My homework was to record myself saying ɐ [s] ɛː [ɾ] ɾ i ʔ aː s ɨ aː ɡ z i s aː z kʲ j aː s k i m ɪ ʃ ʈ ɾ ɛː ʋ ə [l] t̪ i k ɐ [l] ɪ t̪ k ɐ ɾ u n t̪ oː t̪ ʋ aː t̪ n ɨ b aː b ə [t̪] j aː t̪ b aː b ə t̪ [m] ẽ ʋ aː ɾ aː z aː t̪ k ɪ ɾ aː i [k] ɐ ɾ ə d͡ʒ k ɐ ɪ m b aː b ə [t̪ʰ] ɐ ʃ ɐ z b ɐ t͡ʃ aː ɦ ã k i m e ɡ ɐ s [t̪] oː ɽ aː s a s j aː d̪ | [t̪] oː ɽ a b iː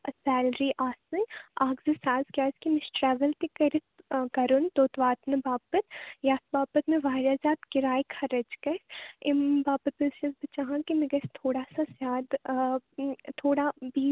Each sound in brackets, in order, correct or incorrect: correct, incorrect: l, correct, incorrect: ɾ, correct, correct, incorrect: kʰ, incorrect: t̪, incorrect: t̪ʰ, incorrect: t̪ʰ

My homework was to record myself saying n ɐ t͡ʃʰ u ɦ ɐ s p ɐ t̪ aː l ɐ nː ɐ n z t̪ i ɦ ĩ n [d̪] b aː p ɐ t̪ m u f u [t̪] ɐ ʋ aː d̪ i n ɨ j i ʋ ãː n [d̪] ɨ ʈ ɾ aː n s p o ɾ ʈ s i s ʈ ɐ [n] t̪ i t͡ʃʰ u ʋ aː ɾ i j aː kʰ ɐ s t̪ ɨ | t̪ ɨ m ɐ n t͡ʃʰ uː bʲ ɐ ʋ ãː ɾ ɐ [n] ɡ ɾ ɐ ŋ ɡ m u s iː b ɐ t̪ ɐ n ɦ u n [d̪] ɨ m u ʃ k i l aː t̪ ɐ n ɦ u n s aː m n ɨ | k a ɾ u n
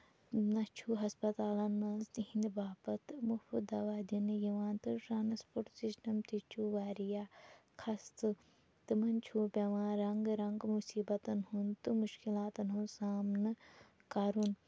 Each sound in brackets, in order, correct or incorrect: correct, incorrect: d̪, incorrect: t̪, incorrect: m, incorrect: ŋ, incorrect: t̪

